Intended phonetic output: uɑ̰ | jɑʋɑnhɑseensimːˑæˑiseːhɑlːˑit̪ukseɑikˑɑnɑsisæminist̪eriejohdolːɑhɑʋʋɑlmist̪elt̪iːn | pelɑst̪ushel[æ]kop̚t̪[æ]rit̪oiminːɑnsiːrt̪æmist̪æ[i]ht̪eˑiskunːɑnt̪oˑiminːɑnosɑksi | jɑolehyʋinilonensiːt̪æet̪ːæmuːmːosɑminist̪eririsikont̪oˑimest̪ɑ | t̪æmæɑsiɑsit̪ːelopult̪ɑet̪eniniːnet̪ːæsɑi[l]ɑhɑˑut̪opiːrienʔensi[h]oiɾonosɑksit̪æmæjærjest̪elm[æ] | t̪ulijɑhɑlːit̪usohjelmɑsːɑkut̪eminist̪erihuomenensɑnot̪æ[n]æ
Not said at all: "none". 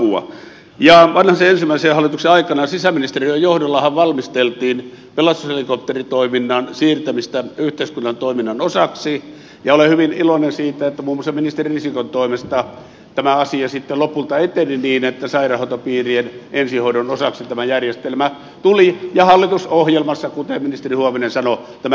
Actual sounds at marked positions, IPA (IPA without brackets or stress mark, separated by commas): i, e, y, r, h, æ, m